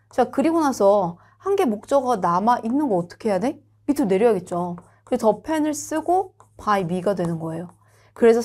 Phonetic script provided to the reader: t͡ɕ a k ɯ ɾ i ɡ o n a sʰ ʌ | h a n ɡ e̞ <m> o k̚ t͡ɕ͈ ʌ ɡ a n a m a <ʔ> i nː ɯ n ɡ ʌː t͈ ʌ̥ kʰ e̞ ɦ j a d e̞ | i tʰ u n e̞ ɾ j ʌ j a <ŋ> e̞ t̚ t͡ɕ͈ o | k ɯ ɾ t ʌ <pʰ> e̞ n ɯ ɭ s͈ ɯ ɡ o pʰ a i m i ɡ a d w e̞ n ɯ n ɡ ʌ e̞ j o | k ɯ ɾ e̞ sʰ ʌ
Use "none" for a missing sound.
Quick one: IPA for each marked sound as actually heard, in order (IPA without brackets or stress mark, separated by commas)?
m, ʔ, ɡ, pʰ